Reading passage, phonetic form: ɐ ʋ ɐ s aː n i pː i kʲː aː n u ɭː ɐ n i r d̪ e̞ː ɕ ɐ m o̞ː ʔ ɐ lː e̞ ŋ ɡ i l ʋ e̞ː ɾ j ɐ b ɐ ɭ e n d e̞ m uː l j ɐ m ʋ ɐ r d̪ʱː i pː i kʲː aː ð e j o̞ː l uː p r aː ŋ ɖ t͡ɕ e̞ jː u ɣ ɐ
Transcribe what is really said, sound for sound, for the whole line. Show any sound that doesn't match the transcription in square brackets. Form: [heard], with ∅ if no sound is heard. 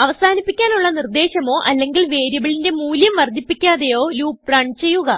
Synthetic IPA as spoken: ɐ ʋ ɐ s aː n i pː i kʲː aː n u ɭː ɐ n i r d̪ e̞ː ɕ ɐ m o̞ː ʔ ɐ lː e̞ ŋ ɡ i l ʋ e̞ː ɾ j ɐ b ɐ ɭ [i] n d e̞ m uː l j ɐ m ʋ ɐ r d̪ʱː i pː i kʲː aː ð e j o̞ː l uː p r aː [ɳ] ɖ t͡ɕ e̞ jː u ɣ ɐ